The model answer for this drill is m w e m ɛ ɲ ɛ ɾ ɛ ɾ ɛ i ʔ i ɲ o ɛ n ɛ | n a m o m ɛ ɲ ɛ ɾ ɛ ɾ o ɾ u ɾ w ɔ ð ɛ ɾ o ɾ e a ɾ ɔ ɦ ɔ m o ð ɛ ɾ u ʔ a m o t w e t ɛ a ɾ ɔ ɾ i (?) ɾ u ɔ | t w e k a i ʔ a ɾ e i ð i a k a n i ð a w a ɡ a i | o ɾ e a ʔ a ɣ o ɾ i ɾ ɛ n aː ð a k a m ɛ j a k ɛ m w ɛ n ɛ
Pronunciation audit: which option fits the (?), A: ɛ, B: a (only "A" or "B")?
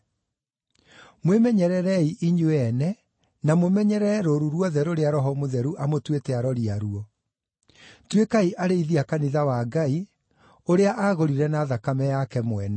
B